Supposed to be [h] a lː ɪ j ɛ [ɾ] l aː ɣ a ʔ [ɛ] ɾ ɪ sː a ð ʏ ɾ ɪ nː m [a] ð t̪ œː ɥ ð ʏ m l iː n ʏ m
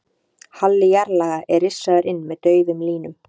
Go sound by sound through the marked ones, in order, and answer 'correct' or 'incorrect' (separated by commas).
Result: correct, correct, correct, incorrect